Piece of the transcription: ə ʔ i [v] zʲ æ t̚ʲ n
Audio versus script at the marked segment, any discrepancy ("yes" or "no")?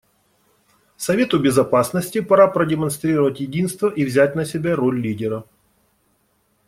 no